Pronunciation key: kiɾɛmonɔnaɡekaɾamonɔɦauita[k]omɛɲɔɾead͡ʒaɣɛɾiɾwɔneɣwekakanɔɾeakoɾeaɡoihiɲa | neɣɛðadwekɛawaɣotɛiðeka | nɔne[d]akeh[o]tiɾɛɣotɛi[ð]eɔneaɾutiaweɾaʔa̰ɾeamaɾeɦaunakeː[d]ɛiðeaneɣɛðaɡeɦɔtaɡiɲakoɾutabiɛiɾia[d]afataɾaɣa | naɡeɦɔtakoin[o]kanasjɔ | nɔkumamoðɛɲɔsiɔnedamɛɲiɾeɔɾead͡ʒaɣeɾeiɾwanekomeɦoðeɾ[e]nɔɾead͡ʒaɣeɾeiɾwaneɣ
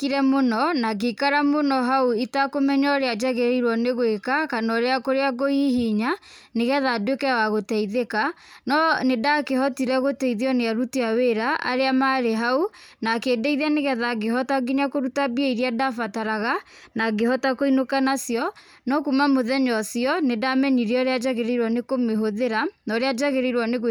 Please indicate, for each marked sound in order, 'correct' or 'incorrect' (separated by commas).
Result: correct, correct, incorrect, correct, correct, correct, correct, incorrect